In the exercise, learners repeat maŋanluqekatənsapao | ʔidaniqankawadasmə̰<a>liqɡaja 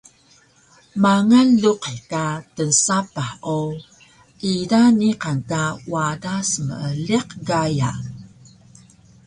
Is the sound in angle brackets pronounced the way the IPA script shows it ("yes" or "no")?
no